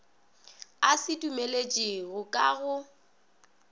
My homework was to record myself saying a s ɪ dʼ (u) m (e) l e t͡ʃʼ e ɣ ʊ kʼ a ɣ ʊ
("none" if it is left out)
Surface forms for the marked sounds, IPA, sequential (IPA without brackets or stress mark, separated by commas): u, e